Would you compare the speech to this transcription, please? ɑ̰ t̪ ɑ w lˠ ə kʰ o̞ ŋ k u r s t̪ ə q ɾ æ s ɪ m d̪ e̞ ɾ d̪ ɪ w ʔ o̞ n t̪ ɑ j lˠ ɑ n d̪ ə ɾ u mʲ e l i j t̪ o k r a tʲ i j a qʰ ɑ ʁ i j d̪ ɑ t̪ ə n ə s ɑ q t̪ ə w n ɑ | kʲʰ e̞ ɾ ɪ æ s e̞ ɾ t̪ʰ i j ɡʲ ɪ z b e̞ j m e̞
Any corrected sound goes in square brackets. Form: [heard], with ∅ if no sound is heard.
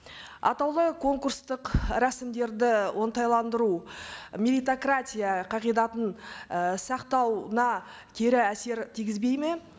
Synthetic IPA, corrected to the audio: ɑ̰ t̪ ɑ w lˠ ə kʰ o̞ ŋ k u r s t̪ ə q ɾ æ s ɪ m d̪ e̞ ɾ d̪ ɪ w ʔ o̞ n t̪ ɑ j lˠ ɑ n d̪ ə ɾ u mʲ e l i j t̪ o k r a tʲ i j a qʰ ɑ ʁ i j d̪ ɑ t̪ ə n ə s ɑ q t̪ [ɑ] w n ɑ | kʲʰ e̞ ɾ ɪ æ s e̞ ɾ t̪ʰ i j ɡʲ ɪ z b e̞ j m e̞